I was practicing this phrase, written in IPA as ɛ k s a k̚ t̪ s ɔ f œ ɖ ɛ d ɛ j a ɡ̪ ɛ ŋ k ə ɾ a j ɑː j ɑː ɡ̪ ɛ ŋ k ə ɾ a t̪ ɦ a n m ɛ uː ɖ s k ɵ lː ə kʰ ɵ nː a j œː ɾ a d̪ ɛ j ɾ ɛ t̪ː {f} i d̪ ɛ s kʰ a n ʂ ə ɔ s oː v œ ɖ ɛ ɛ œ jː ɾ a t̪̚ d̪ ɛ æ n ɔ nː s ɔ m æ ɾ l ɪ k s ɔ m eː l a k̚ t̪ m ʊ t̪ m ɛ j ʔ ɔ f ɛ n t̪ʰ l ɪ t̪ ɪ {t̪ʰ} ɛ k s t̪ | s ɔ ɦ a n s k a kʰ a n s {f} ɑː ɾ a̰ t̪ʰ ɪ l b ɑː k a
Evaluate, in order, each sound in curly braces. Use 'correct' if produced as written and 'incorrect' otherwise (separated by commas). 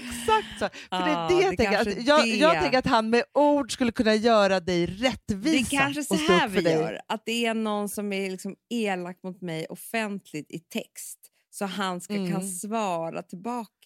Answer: incorrect, correct, incorrect